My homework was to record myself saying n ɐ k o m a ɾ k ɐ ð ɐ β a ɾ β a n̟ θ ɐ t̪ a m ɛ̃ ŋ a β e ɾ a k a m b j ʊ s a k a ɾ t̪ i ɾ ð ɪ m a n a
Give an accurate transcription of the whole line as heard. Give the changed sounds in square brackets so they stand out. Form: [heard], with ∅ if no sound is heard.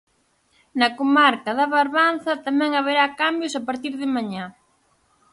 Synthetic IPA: n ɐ k o m a ɾ k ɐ ð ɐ β a ɾ β a n̟ θ ɐ t̪ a m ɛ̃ ŋ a β e ɾ a k a m b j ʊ s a [p] a ɾ t̪ i ɾ ð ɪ m a [ɲ] a